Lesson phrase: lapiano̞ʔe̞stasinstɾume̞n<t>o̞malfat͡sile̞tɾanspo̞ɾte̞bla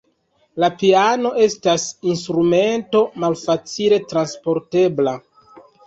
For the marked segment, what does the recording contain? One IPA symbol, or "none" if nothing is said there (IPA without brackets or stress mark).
t